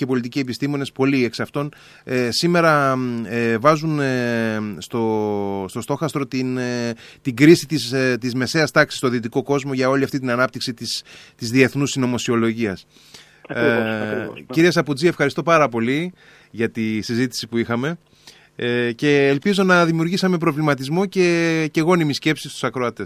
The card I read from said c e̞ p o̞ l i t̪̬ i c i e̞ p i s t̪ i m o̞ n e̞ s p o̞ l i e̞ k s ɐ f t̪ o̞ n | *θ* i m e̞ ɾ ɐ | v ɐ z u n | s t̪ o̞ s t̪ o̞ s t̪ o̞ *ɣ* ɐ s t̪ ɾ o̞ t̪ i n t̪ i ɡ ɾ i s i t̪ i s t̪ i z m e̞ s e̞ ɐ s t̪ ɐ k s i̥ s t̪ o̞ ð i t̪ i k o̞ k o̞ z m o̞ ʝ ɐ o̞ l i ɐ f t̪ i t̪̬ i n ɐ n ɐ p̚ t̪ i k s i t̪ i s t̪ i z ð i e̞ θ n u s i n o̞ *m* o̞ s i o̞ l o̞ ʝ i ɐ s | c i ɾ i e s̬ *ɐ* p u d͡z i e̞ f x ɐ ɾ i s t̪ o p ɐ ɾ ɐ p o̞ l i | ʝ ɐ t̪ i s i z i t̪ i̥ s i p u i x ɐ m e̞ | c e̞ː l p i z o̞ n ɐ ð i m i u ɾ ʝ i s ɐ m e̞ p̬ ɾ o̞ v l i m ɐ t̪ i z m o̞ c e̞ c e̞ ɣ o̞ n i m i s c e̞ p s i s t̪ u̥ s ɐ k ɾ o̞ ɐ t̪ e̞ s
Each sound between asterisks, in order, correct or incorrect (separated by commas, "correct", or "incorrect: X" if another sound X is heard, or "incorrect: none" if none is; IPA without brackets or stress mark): incorrect: s, incorrect: x, correct, correct